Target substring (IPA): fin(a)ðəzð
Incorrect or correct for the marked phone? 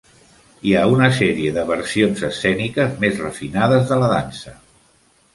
correct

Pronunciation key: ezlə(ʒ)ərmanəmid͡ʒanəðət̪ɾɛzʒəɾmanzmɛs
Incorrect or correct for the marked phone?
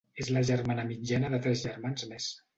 correct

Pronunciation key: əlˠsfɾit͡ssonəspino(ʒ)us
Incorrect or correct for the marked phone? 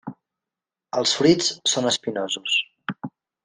incorrect: z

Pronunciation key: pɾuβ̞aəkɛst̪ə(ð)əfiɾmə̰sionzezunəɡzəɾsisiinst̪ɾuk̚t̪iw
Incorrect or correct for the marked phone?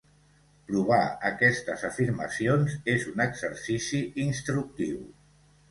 incorrect: z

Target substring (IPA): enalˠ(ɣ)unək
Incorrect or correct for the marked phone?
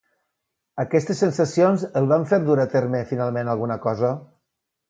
correct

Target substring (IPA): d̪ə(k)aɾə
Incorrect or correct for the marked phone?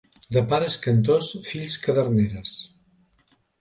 incorrect: p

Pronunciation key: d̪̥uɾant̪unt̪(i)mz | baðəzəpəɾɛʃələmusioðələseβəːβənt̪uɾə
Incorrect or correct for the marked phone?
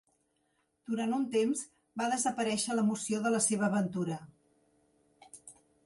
incorrect: e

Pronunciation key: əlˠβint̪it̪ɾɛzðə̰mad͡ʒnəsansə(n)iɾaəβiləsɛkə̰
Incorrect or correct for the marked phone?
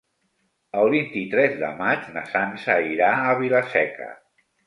incorrect: none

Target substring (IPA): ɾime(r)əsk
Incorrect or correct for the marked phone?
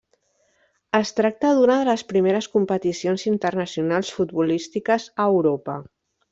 incorrect: ɾ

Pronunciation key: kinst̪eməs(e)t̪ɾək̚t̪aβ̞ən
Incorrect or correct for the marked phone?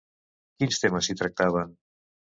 incorrect: i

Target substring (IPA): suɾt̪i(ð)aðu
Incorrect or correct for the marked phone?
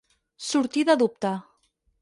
correct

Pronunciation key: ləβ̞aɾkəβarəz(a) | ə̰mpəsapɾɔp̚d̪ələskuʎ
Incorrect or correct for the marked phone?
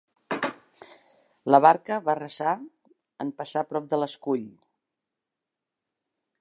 correct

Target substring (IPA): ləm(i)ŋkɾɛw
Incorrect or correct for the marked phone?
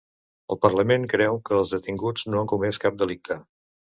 incorrect: e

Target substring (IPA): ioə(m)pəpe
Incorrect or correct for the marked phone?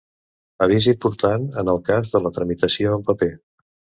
correct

